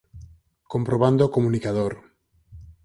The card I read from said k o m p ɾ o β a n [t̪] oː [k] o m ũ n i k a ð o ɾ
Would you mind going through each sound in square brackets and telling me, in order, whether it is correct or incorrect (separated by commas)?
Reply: incorrect, correct